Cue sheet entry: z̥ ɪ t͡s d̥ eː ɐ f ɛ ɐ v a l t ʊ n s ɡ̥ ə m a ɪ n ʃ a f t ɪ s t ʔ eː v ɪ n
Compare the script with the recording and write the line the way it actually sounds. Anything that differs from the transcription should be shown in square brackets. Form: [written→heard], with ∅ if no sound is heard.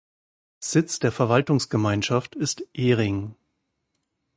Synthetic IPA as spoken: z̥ ɪ t͡s d̥ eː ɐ f ɛ ɐ v a l t ʊ [n→ŋ] s ɡ̥ ə m a ɪ n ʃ a f t ɪ s t ʔ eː [v→ʁ] ɪ [n→ŋ]